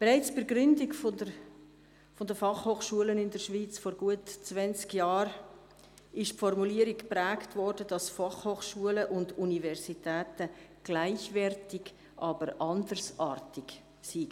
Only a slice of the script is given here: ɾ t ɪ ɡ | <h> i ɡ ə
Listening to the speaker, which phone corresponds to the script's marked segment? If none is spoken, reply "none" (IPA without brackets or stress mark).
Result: s